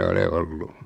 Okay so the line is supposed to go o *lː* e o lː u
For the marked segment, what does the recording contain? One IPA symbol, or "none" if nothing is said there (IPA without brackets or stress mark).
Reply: l